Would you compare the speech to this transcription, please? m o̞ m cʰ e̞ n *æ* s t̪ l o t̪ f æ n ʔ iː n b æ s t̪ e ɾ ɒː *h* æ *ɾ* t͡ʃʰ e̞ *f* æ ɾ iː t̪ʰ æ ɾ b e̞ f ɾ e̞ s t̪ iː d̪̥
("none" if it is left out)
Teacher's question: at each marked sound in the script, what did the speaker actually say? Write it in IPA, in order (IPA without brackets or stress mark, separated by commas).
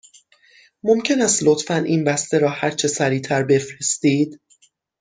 æ, h, ɾ, s